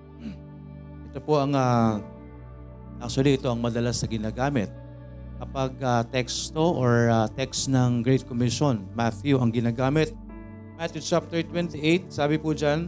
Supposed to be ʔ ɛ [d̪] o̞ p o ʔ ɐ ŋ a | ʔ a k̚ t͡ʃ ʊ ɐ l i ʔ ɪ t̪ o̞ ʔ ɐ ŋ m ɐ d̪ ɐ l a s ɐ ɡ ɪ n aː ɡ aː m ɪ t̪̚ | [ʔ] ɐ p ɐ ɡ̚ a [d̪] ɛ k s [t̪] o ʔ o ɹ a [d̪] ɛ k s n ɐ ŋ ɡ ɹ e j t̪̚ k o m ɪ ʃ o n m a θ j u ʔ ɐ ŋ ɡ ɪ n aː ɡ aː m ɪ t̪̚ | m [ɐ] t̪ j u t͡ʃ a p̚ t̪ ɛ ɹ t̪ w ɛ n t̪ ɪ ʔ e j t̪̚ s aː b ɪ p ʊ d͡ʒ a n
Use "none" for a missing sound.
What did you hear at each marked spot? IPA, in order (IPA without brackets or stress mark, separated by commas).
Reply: t̪, k, t̪, t̪, t̪, a